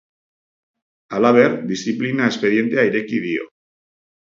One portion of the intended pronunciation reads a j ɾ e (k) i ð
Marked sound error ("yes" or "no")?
no